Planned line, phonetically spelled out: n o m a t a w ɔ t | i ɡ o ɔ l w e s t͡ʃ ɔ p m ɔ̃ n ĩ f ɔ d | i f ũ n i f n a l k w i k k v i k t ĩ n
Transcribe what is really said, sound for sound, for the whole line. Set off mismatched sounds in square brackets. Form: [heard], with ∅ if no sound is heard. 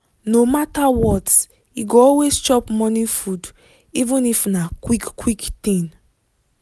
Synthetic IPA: n o m a t a w ɔ t | i ɡ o ɔ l w e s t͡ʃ ɔ p m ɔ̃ n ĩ f [u] d | i [v] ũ n i f n a [∅] k w i k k [w] i k t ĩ n